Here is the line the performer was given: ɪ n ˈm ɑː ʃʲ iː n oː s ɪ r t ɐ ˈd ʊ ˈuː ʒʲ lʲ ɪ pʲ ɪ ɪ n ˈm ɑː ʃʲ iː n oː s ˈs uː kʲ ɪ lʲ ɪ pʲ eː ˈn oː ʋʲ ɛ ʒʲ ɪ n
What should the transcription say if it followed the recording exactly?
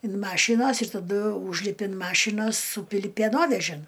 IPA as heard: ɪ n ˈm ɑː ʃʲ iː n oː s ɪ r t ɐ ˈd ʊ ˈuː ʒʲ lʲ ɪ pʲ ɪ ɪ n ˈm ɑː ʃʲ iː n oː s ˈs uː pʲ ɪ lʲ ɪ pʲ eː ˈn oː ʋʲ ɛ ʒʲ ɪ n